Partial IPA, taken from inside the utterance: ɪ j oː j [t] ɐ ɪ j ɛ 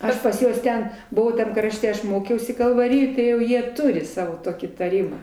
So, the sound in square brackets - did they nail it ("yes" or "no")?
yes